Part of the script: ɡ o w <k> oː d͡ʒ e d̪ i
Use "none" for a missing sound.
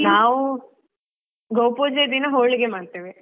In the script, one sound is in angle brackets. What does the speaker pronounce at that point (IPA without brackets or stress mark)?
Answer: p